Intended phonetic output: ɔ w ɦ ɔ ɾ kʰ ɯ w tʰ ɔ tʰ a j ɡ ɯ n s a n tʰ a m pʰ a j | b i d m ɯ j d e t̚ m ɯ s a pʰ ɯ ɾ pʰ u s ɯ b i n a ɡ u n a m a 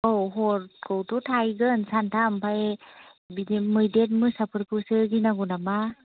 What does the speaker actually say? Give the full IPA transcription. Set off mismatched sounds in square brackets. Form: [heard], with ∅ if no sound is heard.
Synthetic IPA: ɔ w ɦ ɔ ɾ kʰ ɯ w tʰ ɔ tʰ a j ɡ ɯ n s a n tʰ a m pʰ a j | b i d m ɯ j d e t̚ m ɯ s a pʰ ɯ ɾ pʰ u s ɯ [ɡ] i n a ɡ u n a m a